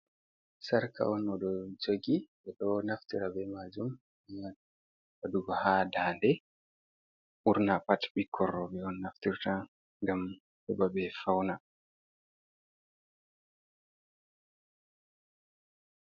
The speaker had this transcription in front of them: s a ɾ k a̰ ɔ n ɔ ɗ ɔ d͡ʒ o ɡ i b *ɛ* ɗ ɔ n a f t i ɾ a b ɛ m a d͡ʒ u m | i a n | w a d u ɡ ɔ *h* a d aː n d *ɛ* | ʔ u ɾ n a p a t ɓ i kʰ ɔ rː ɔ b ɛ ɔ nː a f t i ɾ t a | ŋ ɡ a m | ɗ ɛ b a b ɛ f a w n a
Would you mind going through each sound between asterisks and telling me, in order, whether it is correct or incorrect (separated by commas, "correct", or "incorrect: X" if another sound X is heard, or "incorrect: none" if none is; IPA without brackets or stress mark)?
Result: correct, correct, correct